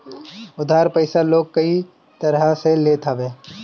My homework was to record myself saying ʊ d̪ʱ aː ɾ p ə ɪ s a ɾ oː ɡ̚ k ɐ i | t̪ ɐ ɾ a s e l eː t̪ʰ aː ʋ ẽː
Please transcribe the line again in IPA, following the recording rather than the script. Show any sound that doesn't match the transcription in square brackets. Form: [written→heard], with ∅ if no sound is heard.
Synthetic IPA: ʊ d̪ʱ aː ɾ p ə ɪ s a [ɾ→l] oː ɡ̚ k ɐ i | t̪ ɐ ɾ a s e l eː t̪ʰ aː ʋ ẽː

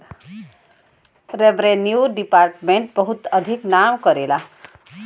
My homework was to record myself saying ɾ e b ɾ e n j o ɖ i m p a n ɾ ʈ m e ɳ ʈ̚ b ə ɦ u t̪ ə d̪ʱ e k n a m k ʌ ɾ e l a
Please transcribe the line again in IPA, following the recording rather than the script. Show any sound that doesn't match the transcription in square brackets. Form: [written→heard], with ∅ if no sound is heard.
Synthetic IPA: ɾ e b ɾ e n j [o→u] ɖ i [m→∅] p a [n→∅] ɾ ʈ m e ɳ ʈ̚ b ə ɦ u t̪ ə d̪ʱ [e→i] k n a m k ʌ ɾ e l a

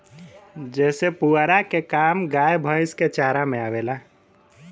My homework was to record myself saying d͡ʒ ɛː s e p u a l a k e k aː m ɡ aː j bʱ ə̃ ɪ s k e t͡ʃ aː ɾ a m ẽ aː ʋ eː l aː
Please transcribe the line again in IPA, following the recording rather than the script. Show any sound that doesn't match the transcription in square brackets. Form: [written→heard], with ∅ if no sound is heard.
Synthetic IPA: d͡ʒ ɛː s e p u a [l→ɾ] a k e k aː m ɡ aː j bʱ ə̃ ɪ s k e t͡ʃ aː ɾ a m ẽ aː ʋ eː l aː

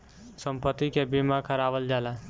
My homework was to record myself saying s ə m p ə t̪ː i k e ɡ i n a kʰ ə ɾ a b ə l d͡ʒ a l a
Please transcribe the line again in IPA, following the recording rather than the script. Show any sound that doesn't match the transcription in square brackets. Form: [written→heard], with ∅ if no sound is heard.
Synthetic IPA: s ə m p ə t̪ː i k e [ɡ→b] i [n→m] a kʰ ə ɾ a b ə l d͡ʒ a l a

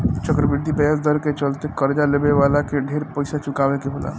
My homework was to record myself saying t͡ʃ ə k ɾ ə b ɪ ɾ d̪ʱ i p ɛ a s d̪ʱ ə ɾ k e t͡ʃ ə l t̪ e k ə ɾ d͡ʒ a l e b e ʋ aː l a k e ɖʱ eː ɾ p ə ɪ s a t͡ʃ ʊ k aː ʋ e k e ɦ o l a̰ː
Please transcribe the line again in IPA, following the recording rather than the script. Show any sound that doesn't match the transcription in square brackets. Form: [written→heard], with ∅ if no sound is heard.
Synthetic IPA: t͡ʃ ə k ɾ ə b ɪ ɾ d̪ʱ i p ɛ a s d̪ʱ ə ɾ k e t͡ʃ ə l t̪ e k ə ɾ d͡ʒ a l e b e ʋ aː l a k e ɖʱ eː ɾ p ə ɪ s a t͡ʃ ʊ k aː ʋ e k e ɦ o l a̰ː

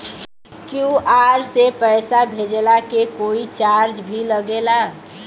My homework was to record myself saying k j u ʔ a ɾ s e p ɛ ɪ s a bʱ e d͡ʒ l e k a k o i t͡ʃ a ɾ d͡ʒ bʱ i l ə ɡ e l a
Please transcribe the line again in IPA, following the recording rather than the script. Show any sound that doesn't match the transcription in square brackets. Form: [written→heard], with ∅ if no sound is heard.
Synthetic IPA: k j u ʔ a ɾ s e p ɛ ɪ s a bʱ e d͡ʒ l [e→a] k [a→e] k o i t͡ʃ a ɾ d͡ʒ bʱ i l ə ɡ e l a

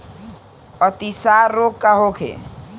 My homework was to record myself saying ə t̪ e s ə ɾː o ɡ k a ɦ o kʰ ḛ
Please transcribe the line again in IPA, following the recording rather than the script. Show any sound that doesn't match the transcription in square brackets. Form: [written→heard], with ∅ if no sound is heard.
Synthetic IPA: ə t̪ [e→i] s [ə→a] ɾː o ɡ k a ɦ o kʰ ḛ

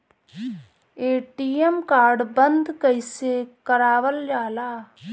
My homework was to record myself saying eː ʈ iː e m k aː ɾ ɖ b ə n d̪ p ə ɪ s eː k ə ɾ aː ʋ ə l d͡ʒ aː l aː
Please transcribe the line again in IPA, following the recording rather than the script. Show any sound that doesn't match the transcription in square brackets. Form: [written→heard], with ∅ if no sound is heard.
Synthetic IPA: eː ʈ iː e m k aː ɾ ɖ b ə n d̪ [p→k] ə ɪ s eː k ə ɾ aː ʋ ə l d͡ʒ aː l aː

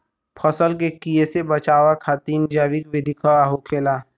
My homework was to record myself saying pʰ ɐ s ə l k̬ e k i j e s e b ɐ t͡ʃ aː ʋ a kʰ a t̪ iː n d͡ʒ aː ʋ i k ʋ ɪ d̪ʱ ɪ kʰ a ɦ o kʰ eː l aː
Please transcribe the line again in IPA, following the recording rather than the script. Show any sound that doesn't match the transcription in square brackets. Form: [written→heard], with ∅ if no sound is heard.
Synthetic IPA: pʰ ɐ s ə l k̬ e k i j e s e b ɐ t͡ʃ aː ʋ a kʰ a t̪ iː n d͡ʒ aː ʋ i k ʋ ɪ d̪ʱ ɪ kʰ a ɦ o kʰ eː l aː

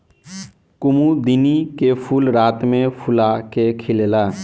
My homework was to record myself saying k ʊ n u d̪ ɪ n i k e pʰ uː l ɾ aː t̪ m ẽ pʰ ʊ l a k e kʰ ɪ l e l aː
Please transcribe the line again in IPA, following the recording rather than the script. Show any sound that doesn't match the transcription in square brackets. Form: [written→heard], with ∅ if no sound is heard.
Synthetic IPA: k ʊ [n→m] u d̪ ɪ n i k e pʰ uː l ɾ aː t̪ m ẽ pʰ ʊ l a k e kʰ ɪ l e l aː

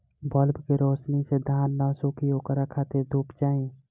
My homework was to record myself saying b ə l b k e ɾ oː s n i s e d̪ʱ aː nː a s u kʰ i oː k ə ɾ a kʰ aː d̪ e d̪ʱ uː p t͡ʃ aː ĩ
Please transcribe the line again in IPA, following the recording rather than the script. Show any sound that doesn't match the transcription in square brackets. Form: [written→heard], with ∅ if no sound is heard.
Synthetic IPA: b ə l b k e ɾ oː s n i s e d̪ʱ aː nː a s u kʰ i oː k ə ɾ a kʰ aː [d̪→t̪] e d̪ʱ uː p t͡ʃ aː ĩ

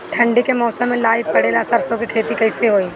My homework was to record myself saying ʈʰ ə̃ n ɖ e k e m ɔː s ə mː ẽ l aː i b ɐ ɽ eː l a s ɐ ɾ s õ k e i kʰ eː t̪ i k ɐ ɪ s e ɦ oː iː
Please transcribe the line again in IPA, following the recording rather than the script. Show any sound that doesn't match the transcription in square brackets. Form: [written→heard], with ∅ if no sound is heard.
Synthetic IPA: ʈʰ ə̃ [n→ɳ] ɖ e k e m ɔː s ə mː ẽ l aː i [b→p] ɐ ɽ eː l a s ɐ ɾ s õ k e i kʰ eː t̪ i k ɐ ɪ s e ɦ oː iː

